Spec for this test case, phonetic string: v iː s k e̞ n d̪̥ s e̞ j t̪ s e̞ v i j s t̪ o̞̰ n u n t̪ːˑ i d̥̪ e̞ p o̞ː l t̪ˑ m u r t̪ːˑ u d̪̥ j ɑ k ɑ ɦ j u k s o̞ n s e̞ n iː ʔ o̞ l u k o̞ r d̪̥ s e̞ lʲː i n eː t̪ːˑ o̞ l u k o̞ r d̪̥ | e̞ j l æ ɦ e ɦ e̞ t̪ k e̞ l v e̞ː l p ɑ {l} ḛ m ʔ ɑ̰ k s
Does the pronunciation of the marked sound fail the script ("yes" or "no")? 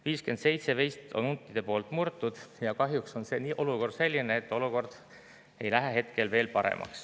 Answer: yes